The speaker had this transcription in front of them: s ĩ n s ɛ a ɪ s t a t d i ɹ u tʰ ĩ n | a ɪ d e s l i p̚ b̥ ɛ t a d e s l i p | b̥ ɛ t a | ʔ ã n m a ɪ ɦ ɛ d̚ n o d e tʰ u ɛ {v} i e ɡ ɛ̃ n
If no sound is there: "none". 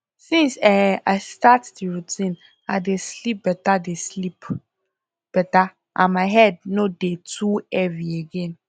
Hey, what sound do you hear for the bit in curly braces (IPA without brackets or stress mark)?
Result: v